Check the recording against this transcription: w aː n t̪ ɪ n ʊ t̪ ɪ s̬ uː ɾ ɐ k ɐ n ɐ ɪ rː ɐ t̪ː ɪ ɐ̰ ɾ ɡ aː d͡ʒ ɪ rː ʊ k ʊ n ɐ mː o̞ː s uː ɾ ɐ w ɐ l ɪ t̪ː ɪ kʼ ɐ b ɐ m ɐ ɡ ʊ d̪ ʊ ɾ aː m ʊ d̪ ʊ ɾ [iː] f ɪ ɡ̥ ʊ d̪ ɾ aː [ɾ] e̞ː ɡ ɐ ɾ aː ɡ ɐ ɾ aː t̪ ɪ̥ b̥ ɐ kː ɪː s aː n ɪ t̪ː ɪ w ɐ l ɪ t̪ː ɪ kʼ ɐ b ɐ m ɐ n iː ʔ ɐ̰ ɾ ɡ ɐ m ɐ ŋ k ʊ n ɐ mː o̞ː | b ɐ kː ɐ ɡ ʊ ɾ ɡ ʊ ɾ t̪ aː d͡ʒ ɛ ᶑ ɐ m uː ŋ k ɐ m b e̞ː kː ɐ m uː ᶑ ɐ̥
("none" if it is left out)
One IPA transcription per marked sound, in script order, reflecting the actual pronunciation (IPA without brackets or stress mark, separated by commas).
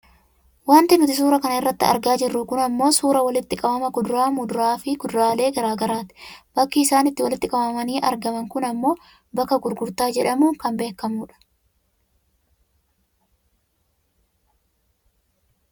aː, l